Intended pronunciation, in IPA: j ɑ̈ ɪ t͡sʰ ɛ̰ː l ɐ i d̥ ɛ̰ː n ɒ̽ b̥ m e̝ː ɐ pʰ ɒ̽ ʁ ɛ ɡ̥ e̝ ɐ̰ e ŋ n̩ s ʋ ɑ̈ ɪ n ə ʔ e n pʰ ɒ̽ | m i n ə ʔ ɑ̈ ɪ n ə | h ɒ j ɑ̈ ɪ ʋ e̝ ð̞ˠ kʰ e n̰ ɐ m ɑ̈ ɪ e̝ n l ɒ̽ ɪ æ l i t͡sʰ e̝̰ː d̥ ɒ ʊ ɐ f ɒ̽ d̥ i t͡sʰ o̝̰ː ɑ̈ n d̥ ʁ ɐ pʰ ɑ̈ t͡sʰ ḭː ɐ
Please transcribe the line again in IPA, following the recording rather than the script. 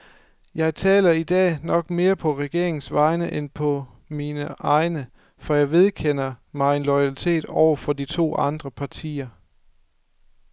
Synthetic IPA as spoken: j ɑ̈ ɪ t͡sʰ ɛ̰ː l ɐ i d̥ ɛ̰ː n ɒ̽ ɡ̥ m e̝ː ɐ pʰ ɒ̽ ʁ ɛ ɡ̥ e̝ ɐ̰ e ŋ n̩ s ʋ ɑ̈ ɪ n ə ʔ e n pʰ ɒ̽ | m i n ə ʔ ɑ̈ ɪ n ə | f ɒ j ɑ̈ ɪ ʋ e̝ ð̞ˠ kʰ e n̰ ɐ m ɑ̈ ɪ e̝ n l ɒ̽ ɪ æ l i t͡sʰ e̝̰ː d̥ ɒ ʊ ɐ f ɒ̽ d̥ i t͡sʰ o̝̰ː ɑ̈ n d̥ ʁ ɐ pʰ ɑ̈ t͡sʰ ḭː ɐ